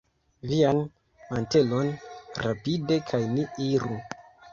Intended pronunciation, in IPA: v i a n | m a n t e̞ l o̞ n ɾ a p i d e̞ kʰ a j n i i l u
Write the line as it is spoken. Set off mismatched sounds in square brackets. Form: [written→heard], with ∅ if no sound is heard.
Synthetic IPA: v i a n | m a n t e̞ l o̞ n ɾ a p i d e̞ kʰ a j n i i [l→ɾ] u

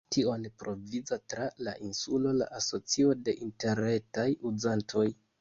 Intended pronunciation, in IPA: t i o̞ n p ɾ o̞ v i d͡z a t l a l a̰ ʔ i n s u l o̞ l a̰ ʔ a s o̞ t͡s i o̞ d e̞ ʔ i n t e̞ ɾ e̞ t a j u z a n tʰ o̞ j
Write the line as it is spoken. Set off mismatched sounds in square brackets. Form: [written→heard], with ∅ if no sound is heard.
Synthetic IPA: t i o̞ n p ɾ o̞ v i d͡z a t [l→ɾ] a l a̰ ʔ i n s u l o̞ l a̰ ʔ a s o̞ t͡s i o̞ d e̞ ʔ i n t e̞ ɾ e̞ t a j u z a n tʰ o̞ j

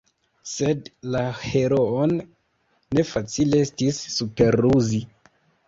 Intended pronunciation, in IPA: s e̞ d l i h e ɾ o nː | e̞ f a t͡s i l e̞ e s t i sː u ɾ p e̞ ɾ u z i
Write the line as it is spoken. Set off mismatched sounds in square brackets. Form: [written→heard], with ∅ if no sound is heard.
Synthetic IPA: s e̞ d l [i→a] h e ɾ o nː | e̞ f a t͡s i l e̞ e s t i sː u [ɾ→∅] p e̞ ɾ u z i

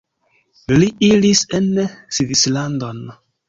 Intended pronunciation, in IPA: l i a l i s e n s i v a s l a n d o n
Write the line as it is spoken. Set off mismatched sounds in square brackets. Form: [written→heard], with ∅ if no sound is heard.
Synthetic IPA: l i [a→i] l i s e n s i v [a→i] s l a n d o n

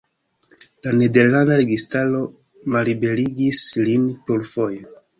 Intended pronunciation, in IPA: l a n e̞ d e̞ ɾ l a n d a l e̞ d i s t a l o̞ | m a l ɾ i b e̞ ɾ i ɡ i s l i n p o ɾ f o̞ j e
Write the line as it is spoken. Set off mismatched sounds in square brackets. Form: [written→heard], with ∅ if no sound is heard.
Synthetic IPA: l a n e̞ d e̞ ɾ l a n d a [l→ɾ] e̞ [d→ɡ] i s t a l o̞ | m a l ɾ i b e̞ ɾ i ɡ i s l i n p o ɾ f o̞ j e

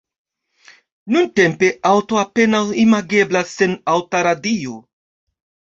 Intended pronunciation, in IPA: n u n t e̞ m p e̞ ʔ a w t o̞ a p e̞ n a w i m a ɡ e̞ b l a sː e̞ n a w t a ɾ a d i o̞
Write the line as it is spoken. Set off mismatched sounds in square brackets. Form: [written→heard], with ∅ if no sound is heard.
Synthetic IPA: n u n t e̞ m p e̞ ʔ a w t o̞ a p e̞ n a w i m a ɡ e̞ b l a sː e̞ n a w t a ɾ a d i o̞

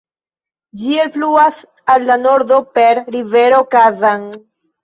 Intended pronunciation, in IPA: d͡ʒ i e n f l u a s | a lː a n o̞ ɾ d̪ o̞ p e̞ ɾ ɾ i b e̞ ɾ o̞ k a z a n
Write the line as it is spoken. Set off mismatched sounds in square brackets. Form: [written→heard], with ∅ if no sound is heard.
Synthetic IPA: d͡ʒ i e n f l u a s | a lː a n o̞ ɾ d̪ o̞ p e̞ ɾ ɾ i [b→v] e̞ ɾ o̞ k a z a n

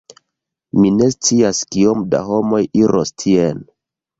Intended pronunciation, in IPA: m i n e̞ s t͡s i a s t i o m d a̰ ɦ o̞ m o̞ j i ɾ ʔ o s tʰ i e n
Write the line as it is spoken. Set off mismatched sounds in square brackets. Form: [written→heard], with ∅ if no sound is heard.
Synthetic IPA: m i n e̞ s t͡s i a s [t→k] i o m d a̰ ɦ o̞ m o̞ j i ɾ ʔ o s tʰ i e n

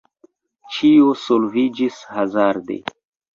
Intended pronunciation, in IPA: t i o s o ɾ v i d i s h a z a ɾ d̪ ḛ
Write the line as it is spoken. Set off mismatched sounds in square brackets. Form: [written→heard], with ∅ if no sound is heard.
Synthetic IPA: [t→t͡ʃ] i o s o [ɾ→l] v i [d→d͡ʒ] i s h a z a ɾ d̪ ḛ

